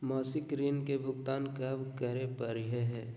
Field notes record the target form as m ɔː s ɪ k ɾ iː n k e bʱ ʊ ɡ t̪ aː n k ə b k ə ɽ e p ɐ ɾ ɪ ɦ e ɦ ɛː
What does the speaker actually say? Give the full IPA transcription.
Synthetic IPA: m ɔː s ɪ k ɾ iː n k e bʱ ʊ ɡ t̪ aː n k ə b k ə ɾ e p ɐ ɾ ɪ ɦ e ɦ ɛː